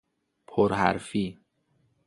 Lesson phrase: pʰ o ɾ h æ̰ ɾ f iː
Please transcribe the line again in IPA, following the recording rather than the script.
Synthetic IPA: pʰ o ɾ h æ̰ ɾ f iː